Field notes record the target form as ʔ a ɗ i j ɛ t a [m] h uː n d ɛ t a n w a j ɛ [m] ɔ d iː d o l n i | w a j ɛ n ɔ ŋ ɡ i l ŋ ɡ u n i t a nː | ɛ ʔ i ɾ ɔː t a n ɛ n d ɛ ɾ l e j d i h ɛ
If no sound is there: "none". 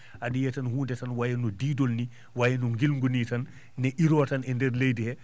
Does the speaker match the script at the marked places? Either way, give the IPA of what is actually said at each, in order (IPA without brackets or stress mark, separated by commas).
n, n